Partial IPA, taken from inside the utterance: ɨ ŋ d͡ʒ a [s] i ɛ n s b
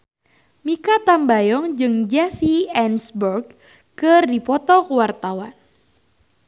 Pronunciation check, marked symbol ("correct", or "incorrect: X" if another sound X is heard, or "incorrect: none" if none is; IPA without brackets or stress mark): correct